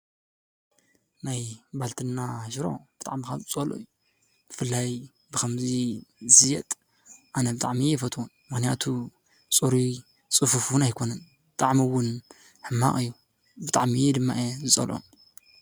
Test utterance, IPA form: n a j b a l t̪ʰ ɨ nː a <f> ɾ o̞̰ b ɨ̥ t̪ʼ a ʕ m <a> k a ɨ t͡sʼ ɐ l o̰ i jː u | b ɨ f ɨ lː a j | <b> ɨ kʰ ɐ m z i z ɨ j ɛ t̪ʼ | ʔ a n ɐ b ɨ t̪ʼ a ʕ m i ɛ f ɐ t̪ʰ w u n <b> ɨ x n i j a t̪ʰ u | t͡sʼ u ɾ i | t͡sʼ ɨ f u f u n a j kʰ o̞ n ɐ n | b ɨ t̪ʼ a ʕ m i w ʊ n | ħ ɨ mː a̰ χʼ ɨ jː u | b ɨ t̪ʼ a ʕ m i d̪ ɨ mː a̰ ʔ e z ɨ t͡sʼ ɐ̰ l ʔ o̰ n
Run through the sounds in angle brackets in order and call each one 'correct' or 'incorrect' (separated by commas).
incorrect, incorrect, correct, incorrect